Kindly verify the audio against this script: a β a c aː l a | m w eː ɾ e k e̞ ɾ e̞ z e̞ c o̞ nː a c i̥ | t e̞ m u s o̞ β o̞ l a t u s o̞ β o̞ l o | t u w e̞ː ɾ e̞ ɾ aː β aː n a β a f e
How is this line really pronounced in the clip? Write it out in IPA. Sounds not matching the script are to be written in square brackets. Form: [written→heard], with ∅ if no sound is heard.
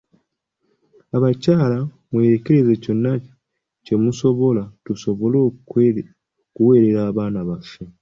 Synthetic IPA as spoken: a β a c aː l a | m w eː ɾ e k e̞ ɾ e̞ z e̞ c o̞ nː a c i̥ | [t→c] e̞ m u s o̞ β o̞ l a t u s o̞ β o̞ l o | [t→k] u w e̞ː ɾ e̞ ɾ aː β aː n a β a f e